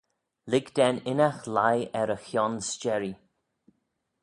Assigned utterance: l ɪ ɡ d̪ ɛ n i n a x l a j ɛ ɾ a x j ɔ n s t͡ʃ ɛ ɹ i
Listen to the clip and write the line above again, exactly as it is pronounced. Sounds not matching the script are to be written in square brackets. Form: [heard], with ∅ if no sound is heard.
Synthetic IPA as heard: l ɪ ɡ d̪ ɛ n [ɪ] n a x l a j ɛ ɾ [ə] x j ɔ n s t͡ʃ ɛ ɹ i